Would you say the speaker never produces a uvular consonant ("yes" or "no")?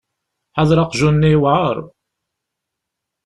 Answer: no